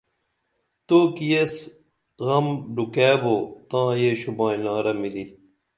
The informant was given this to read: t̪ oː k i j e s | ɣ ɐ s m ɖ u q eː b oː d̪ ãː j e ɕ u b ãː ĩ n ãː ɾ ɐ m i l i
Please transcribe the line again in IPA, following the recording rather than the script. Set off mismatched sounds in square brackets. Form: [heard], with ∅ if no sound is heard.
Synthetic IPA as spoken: t̪ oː k i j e s | ɣ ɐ [∅] m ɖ u [k] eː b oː [t̪] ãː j e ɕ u b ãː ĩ n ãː ɾ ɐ m i l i